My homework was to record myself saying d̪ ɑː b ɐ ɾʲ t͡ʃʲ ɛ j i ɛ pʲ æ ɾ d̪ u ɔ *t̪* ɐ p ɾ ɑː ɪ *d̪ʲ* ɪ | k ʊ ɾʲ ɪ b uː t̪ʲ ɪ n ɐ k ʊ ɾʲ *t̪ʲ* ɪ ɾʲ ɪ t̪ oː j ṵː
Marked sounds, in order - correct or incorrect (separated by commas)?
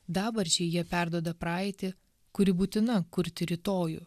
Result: incorrect, incorrect, correct